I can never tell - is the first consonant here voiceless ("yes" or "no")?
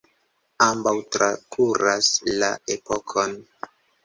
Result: no